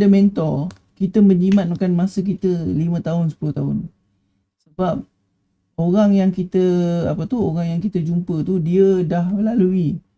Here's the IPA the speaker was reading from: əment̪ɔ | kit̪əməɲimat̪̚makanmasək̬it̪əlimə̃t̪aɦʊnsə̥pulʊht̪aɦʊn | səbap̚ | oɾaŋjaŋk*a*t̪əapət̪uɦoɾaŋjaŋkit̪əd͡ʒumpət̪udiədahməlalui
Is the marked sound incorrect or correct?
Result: incorrect: i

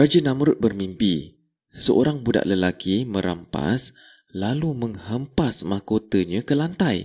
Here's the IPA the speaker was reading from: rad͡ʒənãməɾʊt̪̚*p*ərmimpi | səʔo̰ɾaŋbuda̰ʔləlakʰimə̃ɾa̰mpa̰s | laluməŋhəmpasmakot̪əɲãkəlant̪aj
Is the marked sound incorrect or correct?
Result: incorrect: b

